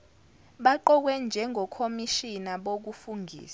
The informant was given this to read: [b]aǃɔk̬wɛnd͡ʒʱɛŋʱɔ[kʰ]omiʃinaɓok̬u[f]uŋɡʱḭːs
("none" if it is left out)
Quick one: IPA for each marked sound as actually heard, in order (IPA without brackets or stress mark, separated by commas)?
ɓ, kʰ, f